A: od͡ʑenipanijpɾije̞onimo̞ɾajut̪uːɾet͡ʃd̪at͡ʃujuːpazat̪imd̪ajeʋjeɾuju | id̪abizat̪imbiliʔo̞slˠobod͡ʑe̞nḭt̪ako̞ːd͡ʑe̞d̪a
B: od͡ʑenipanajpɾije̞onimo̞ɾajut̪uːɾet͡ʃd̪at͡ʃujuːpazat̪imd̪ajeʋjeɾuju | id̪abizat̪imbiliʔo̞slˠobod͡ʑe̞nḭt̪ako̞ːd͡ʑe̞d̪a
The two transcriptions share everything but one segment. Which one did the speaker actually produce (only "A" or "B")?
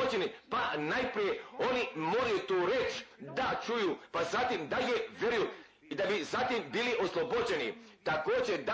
B